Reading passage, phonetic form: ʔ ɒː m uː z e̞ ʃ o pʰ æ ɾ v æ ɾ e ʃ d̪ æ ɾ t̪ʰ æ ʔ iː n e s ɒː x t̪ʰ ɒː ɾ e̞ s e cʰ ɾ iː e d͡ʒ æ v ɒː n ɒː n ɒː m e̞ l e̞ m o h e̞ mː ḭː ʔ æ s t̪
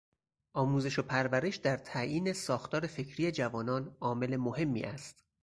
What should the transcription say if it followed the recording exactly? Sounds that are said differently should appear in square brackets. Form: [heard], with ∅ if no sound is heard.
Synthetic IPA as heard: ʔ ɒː m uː z e̞ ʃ o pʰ æ ɾ v æ ɾ e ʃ d̪ æ ɾ t̪ʰ æ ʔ iː n e s ɒː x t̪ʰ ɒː ɾ e̞ [f] e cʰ ɾ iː e d͡ʒ æ v ɒː n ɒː n ɒː m e̞ l e̞ m o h e̞ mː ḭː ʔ æ s t̪